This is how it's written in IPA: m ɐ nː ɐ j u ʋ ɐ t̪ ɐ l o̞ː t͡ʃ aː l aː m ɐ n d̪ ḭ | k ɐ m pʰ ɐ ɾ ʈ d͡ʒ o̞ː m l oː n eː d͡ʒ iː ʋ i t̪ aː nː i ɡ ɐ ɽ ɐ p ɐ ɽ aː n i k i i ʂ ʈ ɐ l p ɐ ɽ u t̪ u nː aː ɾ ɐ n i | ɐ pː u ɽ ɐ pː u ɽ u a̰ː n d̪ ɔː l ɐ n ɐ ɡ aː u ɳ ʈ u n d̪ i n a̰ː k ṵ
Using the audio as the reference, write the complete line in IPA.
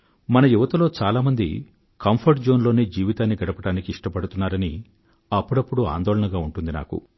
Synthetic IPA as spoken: m ɐ n ɐ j u ʋ ɐ t̪ ɐ l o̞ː t͡ʃ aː l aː m ɐ n d̪ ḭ | k ɐ m pʰ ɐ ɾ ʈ d͡ʒ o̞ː n l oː n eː d͡ʒ iː ʋ i t̪ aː nː i ɡ ɐ ɽ ɐ p ɐ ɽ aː n i k i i ʂ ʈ ɐ p ɐ ɽ u t̪ u nː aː ɾ ɐ n i | ɐ pː u ɽ ɐ pː u ɽ u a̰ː n d̪ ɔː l ɐ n ɐ ɡ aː u ɳ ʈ u n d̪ i n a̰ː k ṵ